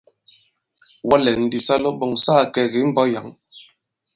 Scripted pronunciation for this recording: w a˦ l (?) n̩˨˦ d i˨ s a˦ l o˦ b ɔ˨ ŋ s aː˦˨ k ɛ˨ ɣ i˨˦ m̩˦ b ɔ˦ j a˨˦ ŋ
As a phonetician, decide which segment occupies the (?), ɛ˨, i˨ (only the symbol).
ɛ˨